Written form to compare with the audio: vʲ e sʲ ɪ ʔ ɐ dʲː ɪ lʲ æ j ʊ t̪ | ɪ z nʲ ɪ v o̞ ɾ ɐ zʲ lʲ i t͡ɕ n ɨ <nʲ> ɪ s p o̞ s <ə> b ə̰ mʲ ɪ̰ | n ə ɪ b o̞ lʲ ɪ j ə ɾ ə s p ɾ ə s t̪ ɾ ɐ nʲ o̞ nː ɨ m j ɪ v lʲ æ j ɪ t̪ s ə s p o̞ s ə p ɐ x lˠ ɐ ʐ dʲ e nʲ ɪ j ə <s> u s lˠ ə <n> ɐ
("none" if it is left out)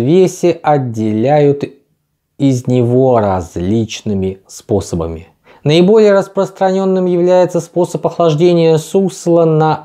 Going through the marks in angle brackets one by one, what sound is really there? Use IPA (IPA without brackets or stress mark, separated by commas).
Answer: mʲ, ə, s, n